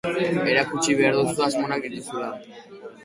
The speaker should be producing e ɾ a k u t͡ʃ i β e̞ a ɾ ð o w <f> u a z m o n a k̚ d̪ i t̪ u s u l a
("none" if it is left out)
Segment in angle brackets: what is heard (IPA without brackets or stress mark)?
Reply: s